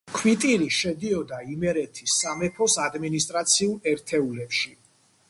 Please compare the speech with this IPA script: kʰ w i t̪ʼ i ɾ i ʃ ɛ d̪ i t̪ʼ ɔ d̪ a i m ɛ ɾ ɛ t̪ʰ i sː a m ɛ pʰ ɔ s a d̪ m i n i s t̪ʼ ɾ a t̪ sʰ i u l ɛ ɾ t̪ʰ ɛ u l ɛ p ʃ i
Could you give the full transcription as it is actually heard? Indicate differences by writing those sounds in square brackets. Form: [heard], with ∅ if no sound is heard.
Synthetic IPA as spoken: kʰ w i t̪ʼ i ɾ i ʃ ɛ d̪ i [∅] ɔ d̪ a i m ɛ ɾ ɛ t̪ʰ i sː a m ɛ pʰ ɔ s a d̪ m i n i s t̪ʼ ɾ a t̪ sʰ i u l ɛ ɾ t̪ʰ ɛ u l ɛ p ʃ i